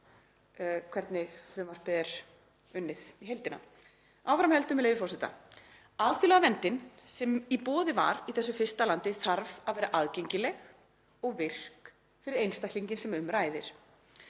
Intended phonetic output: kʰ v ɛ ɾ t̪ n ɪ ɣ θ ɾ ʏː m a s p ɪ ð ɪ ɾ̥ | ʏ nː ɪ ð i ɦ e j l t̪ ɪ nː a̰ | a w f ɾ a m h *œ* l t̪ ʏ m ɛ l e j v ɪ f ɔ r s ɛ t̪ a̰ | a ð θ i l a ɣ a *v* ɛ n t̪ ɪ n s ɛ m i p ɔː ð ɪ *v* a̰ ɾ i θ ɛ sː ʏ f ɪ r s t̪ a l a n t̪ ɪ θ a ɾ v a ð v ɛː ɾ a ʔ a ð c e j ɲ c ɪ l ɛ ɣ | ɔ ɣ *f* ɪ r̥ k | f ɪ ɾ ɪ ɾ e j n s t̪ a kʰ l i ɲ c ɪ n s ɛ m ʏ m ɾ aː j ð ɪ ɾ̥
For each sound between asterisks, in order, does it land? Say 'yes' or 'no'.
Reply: no, yes, yes, no

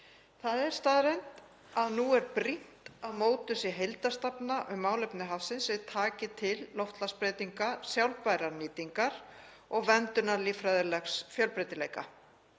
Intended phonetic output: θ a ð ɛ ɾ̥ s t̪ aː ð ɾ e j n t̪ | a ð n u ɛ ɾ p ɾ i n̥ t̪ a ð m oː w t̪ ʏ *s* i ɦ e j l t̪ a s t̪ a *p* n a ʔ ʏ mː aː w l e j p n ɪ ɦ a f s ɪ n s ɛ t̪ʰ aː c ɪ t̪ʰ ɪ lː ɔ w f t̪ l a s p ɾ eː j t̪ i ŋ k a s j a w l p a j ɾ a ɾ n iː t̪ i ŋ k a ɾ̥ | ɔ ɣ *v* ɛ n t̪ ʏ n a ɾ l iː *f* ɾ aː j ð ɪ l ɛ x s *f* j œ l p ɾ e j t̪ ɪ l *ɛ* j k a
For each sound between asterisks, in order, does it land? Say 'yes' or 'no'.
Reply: yes, yes, yes, yes, yes, no

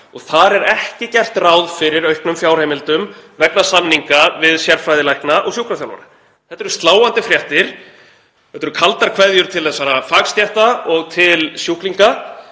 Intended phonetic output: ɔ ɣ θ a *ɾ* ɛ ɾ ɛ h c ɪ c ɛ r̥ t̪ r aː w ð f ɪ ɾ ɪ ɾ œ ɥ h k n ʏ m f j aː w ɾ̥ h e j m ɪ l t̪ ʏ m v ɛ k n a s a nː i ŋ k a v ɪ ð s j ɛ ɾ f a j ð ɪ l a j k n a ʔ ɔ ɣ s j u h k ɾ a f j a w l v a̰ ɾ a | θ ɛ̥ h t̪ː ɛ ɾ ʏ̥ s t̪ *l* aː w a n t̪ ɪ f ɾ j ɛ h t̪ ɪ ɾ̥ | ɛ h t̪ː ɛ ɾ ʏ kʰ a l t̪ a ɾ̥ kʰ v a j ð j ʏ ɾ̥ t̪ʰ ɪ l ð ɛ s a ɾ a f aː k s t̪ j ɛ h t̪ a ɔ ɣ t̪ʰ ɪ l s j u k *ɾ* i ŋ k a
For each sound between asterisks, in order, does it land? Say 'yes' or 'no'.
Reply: yes, yes, no

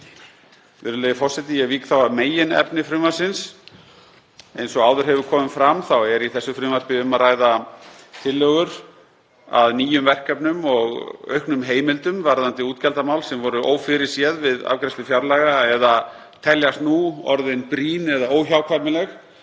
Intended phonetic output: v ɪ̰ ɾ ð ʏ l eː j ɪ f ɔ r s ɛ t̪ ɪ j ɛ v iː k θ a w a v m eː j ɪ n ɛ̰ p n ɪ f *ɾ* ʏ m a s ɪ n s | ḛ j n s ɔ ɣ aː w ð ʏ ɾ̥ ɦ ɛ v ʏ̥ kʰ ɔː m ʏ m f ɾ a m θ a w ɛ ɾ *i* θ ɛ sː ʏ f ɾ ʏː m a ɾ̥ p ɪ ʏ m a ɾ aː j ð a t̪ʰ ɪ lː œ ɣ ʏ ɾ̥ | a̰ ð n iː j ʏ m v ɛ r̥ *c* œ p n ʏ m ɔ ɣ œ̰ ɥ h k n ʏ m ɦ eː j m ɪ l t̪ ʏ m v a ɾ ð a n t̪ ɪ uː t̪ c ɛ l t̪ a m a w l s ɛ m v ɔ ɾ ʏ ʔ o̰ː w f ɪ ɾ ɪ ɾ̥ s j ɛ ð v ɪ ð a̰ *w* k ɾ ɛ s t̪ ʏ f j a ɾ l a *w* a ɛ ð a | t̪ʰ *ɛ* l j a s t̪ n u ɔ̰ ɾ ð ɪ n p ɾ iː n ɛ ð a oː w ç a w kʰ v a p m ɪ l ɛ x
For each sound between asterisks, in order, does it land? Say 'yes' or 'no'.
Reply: yes, yes, no, no, no, yes

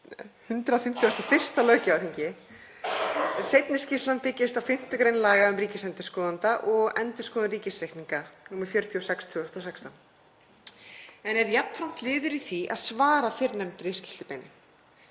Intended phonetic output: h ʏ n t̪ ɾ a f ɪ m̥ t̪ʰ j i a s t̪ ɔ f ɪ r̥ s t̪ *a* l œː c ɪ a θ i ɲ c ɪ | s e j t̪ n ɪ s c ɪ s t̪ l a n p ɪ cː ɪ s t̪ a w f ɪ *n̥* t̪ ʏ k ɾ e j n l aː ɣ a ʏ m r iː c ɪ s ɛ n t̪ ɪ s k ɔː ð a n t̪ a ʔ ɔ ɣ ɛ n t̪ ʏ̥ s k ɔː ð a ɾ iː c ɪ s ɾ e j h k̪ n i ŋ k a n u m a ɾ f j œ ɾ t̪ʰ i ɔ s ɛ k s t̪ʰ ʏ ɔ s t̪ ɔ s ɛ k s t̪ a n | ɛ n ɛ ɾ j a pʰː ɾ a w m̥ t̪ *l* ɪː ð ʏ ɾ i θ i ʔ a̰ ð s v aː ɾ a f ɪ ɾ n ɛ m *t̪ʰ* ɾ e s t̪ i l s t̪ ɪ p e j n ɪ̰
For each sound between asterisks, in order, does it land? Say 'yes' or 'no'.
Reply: yes, no, yes, no

